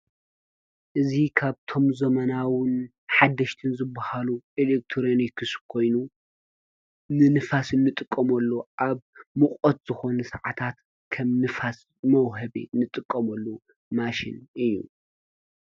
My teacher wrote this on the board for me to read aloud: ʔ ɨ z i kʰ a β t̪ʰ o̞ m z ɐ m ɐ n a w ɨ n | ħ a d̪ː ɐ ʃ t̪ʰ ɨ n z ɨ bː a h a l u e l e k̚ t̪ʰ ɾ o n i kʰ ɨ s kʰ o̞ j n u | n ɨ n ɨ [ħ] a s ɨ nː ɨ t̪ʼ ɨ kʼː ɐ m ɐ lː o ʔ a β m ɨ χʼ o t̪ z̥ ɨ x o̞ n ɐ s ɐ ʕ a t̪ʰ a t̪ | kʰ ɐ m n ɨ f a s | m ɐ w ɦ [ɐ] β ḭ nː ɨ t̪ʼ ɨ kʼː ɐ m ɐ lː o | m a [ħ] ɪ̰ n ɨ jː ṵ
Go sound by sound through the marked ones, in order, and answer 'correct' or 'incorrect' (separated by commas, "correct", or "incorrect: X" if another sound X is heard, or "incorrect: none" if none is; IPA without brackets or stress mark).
incorrect: f, correct, incorrect: ʃ